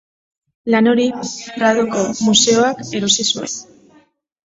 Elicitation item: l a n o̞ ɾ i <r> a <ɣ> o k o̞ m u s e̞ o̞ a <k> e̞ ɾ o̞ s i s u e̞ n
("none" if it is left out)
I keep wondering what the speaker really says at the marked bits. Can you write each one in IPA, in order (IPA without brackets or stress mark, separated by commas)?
r, ð, k